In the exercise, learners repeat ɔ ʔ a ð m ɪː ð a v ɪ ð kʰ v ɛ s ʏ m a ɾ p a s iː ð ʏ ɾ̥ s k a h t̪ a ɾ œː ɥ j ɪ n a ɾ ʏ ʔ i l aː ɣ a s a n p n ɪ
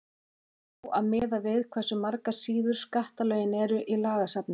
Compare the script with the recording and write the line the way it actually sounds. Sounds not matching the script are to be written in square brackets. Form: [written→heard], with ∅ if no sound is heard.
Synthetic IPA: ɔ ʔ a ð m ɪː ð a v ɪ ð kʰ v ɛ s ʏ m a ɾ [p→k] a s iː ð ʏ ɾ̥ s k a h t̪ a [ɾ→l] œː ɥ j ɪ n [a→ɛ] ɾ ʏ ʔ i l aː ɣ a s a [n→∅] p n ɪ